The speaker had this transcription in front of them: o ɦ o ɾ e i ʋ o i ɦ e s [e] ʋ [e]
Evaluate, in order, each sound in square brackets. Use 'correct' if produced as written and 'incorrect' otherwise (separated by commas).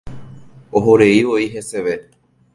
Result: correct, correct